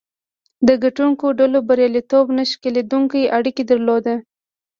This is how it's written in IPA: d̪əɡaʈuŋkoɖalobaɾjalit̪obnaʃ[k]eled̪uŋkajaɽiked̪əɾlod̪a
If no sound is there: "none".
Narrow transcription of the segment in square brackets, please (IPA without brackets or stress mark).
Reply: k